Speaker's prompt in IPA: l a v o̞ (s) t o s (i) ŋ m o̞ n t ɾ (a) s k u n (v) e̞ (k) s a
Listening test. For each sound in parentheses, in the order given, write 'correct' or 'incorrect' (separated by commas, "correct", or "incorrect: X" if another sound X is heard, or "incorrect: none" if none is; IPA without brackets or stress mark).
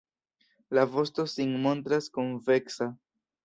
correct, correct, correct, correct, correct